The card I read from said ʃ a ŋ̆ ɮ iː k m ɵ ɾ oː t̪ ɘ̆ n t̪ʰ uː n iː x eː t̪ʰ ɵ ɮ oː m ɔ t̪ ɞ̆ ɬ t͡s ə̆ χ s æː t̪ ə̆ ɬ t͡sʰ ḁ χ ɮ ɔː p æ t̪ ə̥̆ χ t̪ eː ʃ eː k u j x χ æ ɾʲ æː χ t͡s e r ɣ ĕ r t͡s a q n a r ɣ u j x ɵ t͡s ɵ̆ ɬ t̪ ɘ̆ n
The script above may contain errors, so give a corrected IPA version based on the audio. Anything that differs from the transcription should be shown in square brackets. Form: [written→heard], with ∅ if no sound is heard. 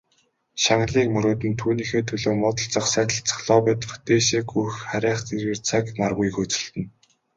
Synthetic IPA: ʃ a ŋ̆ ɮ iː k m ɵ ɾ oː t̪ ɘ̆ n t̪ʰ uː n iː x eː t̪ʰ ɵ ɮ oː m ɔ t̪ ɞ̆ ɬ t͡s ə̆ χ s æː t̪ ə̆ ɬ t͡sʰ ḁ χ ɮ ɔː p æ t̪ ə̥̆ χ t̪ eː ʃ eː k u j x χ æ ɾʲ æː χ t͡s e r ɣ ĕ r [t͡s→t͡sʰ] a [q→k] n a r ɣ u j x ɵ t͡s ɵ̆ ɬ t̪ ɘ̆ n